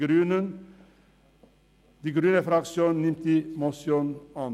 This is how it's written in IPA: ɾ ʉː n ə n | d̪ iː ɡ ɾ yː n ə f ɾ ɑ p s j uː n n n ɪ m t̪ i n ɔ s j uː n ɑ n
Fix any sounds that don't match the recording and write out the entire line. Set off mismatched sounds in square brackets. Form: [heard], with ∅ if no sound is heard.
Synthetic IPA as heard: ɾ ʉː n ə n | d̪ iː ɡ ɾ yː n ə f ɾ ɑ [k] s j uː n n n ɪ m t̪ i [m] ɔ s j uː n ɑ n